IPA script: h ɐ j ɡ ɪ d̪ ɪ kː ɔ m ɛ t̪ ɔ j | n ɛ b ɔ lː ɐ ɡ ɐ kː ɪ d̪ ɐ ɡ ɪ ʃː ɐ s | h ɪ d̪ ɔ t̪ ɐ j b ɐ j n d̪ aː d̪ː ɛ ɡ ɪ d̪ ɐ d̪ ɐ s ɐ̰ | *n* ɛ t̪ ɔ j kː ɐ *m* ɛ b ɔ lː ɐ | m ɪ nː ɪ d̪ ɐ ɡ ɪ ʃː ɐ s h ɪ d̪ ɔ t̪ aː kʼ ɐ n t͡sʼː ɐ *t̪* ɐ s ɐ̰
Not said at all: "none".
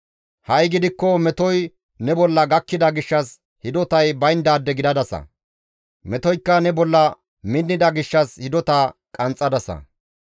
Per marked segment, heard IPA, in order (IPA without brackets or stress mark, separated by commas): m, n, d̪